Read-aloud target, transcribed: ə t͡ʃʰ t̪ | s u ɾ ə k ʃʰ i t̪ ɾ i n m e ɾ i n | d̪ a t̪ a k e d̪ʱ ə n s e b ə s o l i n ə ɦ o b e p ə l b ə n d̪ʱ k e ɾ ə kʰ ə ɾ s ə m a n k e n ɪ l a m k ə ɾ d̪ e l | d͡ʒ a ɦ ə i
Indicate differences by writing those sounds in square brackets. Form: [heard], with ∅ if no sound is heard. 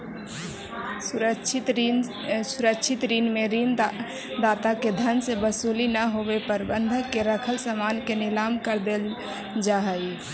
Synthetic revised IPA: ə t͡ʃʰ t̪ | s u ɾ ə k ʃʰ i t̪ ɾ i n m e ɾ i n | d̪ a t̪ a k e d̪ʱ ə n s e b ə s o l i n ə ɦ o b e p ə [ɾ] b ə n d̪ʱ k e ɾ ə kʰ ə [l] s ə m a n k e n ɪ l a m k ə ɾ d̪ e l | d͡ʒ a ɦ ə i